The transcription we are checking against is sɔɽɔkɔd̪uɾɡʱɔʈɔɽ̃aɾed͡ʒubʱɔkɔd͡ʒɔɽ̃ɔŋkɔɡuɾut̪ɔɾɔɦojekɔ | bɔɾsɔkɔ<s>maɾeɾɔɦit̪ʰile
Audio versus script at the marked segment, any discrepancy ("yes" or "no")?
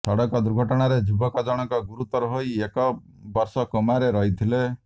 yes